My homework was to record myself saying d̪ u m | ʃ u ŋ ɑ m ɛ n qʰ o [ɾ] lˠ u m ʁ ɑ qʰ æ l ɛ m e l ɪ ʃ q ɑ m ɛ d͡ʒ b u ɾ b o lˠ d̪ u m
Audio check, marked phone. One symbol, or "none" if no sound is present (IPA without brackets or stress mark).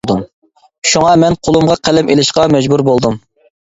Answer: none